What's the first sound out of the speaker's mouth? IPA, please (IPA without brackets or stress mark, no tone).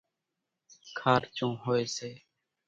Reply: kʰ